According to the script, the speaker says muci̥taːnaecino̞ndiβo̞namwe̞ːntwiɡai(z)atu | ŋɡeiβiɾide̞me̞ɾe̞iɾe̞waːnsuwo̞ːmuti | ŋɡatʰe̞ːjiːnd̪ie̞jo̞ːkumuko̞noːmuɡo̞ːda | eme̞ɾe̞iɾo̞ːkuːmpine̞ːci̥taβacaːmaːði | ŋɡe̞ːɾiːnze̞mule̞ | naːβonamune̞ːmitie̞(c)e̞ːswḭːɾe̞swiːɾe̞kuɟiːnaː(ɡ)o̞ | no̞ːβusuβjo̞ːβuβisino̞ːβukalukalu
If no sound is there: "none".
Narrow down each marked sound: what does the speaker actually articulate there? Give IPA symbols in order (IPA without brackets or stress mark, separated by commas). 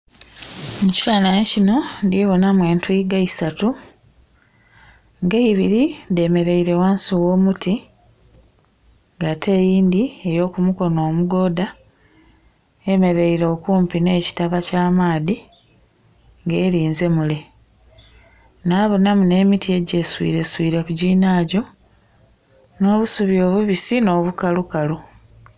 s, ɟ, ɟ